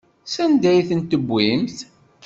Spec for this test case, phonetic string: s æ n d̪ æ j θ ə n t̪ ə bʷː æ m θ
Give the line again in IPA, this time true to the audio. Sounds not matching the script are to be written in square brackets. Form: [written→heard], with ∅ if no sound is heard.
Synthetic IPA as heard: s æ n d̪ æ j θ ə n t̪ ə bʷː [æ→i] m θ

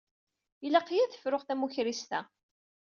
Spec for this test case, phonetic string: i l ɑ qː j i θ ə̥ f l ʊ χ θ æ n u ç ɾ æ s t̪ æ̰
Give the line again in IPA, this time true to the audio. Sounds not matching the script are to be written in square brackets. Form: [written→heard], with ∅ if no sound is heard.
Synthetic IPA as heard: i l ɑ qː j [i→æ] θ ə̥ f [l→ɾ] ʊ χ θ æ [n→m] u ç ɾ [æ→i] s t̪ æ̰

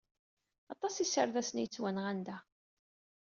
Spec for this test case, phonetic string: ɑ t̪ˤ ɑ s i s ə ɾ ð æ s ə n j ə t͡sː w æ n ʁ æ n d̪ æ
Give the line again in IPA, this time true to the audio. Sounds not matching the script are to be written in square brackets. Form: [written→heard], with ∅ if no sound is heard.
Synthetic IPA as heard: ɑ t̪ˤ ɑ s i s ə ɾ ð æ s ə n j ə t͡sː w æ n ʁ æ n d̪ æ

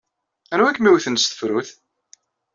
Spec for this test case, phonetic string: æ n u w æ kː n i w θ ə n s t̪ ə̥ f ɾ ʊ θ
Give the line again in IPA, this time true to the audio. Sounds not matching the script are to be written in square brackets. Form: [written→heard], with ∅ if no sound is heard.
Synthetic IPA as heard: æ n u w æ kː [n→m] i w θ ə n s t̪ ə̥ f ɾ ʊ θ

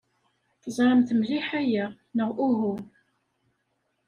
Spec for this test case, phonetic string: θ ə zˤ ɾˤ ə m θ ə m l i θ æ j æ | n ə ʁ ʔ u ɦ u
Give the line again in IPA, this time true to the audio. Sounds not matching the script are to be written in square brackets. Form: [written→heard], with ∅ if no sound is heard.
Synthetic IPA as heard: θ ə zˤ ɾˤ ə m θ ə m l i [θ→ħ] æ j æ | n ə ʁ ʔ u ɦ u

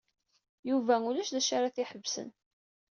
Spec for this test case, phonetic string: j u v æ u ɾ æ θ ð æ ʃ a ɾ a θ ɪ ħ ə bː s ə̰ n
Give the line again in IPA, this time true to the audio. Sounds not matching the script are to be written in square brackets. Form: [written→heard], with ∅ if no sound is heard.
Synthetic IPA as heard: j u v æ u [ɾ→l] æ [θ→ʃ] ð æ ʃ a ɾ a θ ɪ ħ ə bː s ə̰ n

